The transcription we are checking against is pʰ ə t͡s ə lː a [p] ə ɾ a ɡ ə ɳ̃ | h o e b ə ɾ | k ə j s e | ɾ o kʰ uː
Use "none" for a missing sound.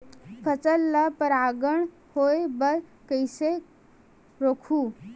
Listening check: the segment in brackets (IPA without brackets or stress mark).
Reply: p